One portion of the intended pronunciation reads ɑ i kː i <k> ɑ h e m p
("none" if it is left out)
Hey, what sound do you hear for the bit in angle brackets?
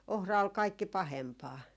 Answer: p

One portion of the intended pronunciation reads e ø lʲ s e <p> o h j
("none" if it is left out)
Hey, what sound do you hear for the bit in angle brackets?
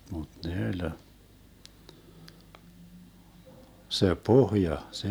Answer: p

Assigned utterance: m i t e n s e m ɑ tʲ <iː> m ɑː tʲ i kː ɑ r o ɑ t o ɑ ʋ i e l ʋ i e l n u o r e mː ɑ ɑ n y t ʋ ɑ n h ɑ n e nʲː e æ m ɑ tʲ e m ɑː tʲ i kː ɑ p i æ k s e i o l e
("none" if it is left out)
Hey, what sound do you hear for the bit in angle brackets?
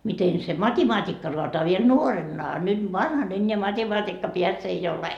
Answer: i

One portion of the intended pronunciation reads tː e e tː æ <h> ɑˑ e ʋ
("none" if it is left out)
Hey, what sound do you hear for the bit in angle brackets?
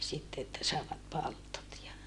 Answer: s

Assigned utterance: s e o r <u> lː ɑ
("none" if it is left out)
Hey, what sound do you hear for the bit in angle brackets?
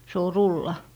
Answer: u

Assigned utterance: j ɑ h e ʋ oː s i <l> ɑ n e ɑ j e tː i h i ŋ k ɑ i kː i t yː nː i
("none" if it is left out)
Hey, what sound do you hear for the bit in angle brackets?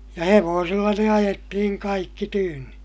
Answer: lː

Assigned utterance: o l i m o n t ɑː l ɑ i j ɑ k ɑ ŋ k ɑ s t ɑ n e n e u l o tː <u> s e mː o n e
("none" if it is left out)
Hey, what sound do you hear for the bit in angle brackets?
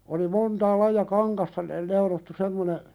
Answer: u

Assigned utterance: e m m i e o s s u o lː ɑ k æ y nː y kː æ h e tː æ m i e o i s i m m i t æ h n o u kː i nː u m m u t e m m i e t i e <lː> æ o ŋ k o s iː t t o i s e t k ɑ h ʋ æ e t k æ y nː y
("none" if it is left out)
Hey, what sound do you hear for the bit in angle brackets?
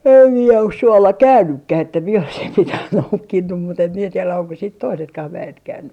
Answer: l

